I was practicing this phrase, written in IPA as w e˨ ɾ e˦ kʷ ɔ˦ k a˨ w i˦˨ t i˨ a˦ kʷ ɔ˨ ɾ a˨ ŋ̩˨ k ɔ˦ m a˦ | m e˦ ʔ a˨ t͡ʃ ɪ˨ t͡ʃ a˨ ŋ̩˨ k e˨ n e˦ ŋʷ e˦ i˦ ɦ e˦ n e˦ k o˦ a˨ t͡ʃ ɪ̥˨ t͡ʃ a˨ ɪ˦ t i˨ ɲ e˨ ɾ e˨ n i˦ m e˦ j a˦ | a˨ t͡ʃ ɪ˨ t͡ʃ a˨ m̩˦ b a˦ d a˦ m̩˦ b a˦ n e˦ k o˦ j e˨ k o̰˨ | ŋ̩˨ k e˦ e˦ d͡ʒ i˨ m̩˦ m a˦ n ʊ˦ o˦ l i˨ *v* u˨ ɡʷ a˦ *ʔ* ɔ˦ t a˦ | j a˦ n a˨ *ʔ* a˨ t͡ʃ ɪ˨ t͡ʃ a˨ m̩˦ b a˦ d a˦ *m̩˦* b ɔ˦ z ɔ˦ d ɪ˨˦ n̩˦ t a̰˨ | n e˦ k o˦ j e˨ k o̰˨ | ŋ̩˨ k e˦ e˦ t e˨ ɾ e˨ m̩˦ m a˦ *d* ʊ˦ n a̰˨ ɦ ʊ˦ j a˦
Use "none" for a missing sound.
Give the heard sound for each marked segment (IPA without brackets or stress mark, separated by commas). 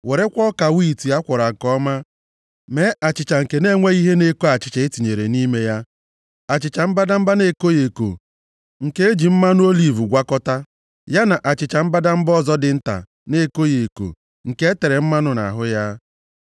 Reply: v, k, ʔ, m̩˦, n